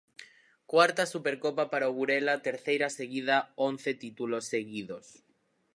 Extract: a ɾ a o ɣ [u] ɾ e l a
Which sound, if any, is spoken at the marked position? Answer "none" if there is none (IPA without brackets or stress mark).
u